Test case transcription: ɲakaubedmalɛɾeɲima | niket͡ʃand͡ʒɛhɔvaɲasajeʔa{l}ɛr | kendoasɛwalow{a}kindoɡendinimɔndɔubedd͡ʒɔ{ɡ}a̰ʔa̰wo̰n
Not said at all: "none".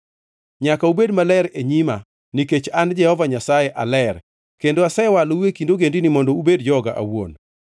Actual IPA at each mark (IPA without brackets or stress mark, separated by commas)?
l, e, ɡ